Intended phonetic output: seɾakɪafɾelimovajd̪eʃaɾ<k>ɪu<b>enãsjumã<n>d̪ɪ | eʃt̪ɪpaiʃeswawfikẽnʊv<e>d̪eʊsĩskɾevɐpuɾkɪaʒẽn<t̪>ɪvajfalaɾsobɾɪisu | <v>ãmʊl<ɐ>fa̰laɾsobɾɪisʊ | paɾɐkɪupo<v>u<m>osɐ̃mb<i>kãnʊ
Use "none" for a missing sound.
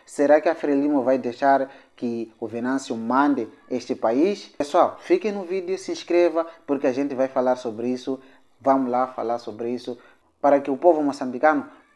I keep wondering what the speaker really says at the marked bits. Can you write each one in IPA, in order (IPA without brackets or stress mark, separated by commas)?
k, v, n, i, t̪, v, a, v, m, i